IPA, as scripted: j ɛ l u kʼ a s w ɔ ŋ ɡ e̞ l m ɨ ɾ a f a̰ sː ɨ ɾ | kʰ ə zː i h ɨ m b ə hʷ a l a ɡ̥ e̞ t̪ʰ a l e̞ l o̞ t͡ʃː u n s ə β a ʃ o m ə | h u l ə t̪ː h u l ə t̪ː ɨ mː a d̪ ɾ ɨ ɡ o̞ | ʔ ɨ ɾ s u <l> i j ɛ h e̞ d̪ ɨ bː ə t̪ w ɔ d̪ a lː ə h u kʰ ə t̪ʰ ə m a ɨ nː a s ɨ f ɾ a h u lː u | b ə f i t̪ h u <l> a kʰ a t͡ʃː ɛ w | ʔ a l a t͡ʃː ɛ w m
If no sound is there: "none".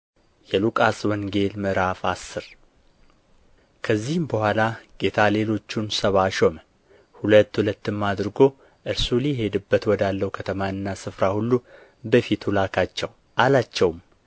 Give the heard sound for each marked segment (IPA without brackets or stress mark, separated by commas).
l, l